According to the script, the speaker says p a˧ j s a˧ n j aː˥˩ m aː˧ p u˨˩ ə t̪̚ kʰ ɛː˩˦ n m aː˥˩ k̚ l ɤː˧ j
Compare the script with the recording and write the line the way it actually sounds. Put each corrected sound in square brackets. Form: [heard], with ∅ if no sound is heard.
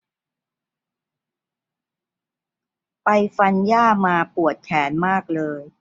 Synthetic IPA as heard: p a˧ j [f] a˧ n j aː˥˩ m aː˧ p u˨˩ ə t̪̚ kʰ ɛː˩˦ n m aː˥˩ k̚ l ɤː˧ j